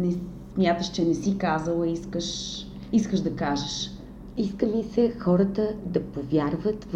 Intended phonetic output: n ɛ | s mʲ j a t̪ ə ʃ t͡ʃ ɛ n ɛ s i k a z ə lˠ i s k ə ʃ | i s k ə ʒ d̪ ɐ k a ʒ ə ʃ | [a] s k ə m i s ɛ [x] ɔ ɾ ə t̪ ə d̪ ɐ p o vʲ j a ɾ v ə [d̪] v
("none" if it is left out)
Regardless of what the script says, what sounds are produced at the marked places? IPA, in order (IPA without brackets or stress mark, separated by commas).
i, x, t̪